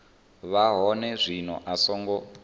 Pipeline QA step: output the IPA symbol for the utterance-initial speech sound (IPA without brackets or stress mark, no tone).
β